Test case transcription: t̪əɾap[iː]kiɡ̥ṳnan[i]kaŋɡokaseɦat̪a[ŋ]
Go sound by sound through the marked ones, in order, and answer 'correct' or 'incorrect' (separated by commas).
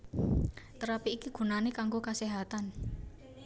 correct, incorrect, incorrect